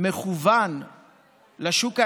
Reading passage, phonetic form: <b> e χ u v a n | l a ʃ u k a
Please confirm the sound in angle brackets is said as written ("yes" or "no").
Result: no